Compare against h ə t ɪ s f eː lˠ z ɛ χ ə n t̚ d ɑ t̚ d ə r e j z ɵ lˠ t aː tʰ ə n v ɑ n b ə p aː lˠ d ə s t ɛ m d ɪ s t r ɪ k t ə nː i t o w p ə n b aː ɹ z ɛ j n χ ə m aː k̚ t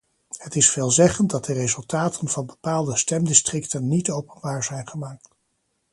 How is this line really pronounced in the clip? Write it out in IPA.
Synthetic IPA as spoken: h ə t ɪ s f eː lˠ z ɛ χ ə n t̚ d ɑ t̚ d ə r e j z ɵ lˠ t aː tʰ ə n v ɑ n b ə p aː lˠ d ə s t ɛ m d ɪ s t r ɪ k t ə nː i t o w p ə n b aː ɹ z ɛ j n χ ə m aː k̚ t